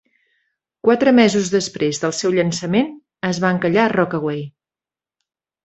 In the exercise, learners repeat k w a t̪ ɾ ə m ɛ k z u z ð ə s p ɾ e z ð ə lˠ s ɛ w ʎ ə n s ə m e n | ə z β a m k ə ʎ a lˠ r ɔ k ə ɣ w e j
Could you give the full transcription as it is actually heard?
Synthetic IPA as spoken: k w a t̪ ɾ ə m ɛ z u z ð ə s p ɾ e z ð ə lˠ s ɛ w ʎ ə n s ə m e n | ə z β a ŋ k ə ʎ a r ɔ k ə ɣ w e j

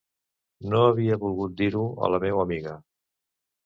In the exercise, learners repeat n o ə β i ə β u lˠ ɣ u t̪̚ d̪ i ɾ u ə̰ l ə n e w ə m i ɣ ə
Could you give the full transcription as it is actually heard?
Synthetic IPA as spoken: n o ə β i ə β u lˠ ɣ u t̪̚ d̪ i ɾ u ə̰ l ə m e w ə m i ɣ ə

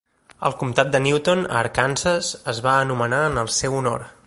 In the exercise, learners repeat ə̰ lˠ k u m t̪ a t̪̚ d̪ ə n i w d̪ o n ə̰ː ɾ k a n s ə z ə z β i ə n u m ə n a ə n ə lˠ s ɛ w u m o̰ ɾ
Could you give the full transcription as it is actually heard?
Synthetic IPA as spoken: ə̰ lˠ k u m t̪ a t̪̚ d̪ ə n i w t̪ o n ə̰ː ɾ k a n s ə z ə z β a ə n u m ə n a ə n ə lˠ s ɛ w u n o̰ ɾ

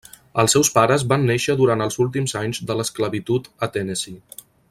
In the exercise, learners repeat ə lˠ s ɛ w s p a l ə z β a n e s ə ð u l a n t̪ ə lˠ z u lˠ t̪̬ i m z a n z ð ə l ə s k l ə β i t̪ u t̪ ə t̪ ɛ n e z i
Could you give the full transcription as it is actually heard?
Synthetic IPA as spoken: ə lˠ s ɛ w s p a ɾ ə z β a nː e ʃ ə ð u ɾ a n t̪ ə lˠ z u lˠ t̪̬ i m z a ɲ z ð ə l ə s k l ə β i t̪ u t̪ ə t̪ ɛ n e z i

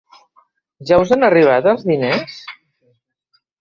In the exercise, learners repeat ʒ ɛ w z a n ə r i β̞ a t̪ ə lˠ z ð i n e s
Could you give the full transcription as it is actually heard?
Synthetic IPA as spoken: ʒ a w z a n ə r i β̞ a t̪ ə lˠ z ð i n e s

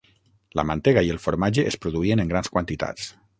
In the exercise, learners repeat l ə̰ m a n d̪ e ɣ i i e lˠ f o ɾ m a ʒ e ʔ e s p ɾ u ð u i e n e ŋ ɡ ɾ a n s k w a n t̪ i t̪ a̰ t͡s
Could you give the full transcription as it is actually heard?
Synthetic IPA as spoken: l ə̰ m a n t̪ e ɣ a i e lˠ f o ɾ m a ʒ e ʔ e s p ɾ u ð u i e n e ŋ ɡ ɾ a n s k w a n t̪ i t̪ a̰ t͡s

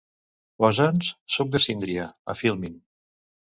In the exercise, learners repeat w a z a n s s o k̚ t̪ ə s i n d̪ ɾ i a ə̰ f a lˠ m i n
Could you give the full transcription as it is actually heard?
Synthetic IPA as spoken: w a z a n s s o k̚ d̪ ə s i n d̪ ɾ i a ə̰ f i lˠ m i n

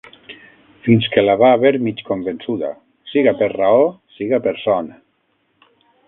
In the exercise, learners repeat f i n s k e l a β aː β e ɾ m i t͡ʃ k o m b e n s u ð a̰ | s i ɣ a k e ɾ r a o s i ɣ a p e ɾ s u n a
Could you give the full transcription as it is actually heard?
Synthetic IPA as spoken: f i n s k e l a β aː β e ɾ m i t͡ʃ k o m b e n s u ð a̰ | s i ɣ a p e ɾ r a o s i ɣ a p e ɾ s ɔ n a

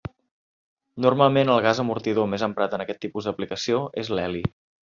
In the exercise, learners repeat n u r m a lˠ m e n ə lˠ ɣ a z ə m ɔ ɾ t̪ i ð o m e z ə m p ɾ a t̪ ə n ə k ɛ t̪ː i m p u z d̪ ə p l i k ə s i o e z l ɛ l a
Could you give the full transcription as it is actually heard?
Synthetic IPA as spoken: n u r m a lˠ m e n ə lˠ ɣ a z ə m u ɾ t̪ i ð o m e z ə m p ɾ a t̪ ə n ə k ɛ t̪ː i p u z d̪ ə p l i k ə s i o e z l ɛ l i

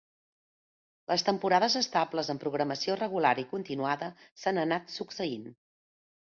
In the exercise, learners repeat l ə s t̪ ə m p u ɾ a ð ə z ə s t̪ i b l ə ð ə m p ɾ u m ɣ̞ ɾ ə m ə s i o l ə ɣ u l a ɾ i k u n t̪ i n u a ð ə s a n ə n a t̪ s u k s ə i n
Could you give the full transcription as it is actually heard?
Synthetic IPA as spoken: l ə s t̪ ə m p u ɾ a ð ə z ə s t̪ a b l ə z ə m p ɾ u ɣ̞ ɾ ə m ə s i o r ə ɣ u l a ɾ i k u n t̪ i n u a ð ə s a n ə n a t̪ s u k s ə i n

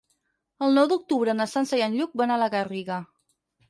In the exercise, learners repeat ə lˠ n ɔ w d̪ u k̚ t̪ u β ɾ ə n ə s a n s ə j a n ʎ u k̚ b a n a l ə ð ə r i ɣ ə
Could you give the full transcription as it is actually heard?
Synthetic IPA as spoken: ə lˠ n ɔ w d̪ u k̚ t̪ u β ɾ ə n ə s a n s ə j a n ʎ u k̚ b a n a l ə ɣ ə r i ɣ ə

